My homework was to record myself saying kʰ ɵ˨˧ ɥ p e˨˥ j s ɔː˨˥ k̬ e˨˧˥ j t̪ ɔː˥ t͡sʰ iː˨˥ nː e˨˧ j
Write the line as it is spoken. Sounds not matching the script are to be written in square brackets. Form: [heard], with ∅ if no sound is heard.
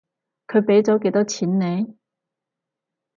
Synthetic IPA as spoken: kʰ ɵ˨˧ ɥ p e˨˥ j [t͡s] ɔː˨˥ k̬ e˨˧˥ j t̪ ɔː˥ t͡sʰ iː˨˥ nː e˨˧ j